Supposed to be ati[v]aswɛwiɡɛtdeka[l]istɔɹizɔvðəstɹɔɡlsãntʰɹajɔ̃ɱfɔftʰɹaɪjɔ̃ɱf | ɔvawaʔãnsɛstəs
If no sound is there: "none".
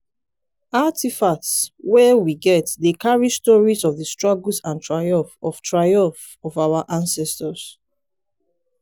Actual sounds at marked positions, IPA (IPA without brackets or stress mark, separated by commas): f, ɹ